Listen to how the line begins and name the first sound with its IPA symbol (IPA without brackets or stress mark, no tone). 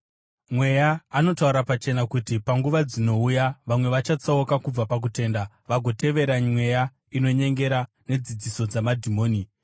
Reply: m